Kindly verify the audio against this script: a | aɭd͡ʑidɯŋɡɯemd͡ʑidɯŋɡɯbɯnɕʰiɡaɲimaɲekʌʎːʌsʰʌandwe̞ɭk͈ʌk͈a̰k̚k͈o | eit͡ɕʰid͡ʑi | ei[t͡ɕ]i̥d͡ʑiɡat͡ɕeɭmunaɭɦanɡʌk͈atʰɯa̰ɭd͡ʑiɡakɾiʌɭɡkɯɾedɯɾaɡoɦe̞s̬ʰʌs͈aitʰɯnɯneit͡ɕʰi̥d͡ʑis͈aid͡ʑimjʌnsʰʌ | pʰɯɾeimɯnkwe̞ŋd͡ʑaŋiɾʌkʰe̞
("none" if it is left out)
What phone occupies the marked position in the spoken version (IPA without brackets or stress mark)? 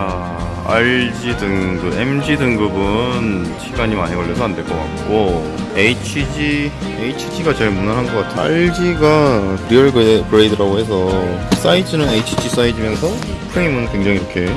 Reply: t͡ɕʰ